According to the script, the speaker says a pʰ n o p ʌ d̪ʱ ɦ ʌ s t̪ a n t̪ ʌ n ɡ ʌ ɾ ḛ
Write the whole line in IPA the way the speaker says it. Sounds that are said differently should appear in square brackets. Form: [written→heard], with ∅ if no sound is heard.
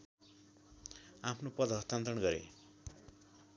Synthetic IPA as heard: a pʰ n o p ʌ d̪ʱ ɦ ʌ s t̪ a n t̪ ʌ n ɡ ʌ ɾ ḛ